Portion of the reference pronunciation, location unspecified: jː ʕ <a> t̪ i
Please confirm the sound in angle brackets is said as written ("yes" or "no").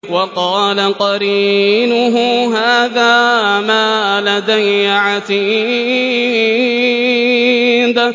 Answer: yes